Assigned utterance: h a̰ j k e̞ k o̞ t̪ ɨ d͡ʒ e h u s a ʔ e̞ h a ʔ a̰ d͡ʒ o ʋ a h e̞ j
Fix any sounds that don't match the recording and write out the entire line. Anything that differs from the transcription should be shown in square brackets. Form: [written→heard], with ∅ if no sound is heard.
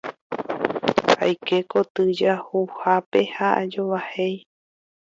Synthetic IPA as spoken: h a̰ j k e̞ k o̞ t̪ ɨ d͡ʒ [e→a] h u [s→h] a [ʔ→p] e̞ h a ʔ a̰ d͡ʒ o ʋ a h e̞ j